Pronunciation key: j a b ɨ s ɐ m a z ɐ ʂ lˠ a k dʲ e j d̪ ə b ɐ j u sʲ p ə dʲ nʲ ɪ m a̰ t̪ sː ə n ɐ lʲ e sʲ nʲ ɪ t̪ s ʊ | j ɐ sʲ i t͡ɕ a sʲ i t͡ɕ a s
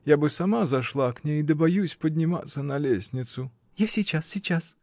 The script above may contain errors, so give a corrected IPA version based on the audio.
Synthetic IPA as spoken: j a b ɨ s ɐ m a z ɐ ʂ lˠ a k nʲ e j d̪ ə b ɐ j u sʲ p ə dʲ nʲ ɪ m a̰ t̪ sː ə n ɐ lʲ e sʲ nʲ ɪ t̪ s ʊ | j a sʲ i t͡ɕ a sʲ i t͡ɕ a s